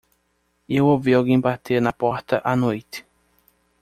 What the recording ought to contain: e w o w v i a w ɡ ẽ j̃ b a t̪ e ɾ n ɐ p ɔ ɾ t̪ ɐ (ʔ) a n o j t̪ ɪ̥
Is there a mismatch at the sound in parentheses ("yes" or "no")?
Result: no